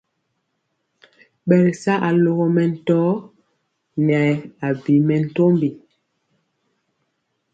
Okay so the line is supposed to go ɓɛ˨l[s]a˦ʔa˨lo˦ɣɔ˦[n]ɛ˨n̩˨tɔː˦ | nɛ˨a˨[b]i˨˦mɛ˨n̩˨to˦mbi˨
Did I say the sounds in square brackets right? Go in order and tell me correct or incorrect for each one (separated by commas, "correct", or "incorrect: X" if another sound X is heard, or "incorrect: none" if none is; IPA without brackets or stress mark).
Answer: correct, incorrect: m, correct